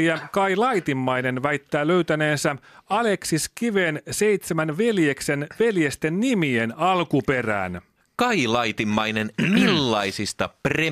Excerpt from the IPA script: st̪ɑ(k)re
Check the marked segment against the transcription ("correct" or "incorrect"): incorrect